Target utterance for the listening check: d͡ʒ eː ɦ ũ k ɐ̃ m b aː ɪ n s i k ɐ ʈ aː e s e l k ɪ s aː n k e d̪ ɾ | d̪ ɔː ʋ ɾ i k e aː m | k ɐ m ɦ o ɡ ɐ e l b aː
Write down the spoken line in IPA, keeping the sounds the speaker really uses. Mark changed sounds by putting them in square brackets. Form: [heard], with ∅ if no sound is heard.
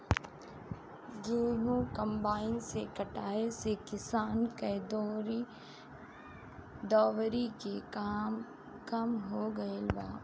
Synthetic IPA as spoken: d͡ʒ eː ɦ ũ k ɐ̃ m b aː ɪ n s [e] k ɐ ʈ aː e s e [∅] k ɪ s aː n k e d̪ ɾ | d̪ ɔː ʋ ɾ i k e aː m | k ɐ m ɦ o ɡ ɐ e l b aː